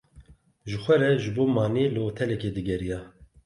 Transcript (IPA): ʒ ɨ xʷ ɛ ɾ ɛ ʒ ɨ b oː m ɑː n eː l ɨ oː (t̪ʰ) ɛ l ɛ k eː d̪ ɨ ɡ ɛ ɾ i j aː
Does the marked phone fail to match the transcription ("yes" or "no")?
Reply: no